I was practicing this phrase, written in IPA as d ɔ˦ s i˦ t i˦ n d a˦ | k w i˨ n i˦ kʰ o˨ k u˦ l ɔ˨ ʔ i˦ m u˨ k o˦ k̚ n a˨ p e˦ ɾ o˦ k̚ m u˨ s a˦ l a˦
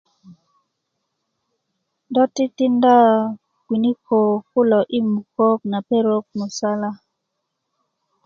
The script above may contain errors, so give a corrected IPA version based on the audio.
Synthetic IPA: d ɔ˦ t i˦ t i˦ n d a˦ | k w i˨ n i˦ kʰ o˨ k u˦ l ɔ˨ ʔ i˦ m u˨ k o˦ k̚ n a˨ p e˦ ɾ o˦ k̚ m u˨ s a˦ l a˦